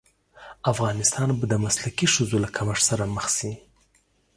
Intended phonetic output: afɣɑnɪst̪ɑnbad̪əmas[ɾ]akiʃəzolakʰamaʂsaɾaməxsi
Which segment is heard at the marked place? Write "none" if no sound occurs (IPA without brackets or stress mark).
l